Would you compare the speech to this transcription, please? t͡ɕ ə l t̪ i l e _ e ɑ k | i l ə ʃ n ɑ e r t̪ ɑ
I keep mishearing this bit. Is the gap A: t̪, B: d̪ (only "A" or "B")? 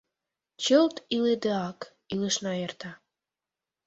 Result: B